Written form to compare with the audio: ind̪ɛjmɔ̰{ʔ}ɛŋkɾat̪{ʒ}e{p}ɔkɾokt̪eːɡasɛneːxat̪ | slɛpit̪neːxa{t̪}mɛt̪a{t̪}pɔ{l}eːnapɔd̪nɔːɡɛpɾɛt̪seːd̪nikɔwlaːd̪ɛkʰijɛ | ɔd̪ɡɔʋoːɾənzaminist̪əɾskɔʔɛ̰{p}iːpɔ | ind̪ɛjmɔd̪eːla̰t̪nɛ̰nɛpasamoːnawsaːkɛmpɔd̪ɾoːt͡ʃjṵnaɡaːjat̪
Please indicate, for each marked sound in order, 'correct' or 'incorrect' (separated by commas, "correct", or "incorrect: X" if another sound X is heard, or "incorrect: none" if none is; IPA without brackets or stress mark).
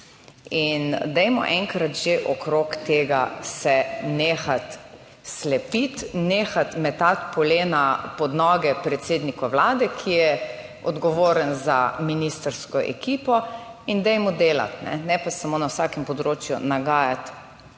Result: correct, correct, incorrect: ʔ, correct, correct, correct, incorrect: k